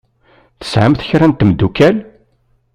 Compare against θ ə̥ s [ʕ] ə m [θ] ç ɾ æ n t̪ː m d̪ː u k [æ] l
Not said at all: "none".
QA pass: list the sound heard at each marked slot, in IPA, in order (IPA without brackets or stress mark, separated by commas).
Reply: ʕ, θ, æ